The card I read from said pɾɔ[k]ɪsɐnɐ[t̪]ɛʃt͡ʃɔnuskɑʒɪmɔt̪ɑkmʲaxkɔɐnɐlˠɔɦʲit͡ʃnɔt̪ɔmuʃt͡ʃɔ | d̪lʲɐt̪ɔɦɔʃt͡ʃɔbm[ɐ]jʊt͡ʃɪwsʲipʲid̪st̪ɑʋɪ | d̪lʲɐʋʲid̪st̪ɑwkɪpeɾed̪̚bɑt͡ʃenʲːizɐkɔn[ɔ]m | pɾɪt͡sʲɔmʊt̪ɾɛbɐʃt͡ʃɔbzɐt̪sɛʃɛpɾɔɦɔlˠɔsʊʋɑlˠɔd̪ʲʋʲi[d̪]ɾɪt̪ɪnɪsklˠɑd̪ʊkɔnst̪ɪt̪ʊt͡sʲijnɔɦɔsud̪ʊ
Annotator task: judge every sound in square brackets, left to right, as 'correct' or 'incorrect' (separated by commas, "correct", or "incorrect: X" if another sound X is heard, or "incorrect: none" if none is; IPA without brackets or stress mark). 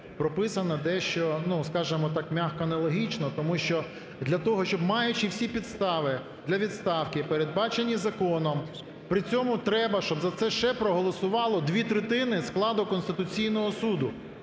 incorrect: p, incorrect: d̪, incorrect: ɑ, correct, incorrect: t̪